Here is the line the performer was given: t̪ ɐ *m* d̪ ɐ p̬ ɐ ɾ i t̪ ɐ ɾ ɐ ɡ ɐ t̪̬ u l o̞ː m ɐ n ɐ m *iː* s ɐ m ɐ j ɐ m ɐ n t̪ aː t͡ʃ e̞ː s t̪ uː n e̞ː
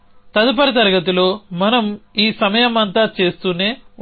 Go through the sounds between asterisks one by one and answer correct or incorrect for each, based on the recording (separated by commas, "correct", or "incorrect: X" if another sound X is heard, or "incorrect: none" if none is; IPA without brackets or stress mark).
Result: incorrect: none, correct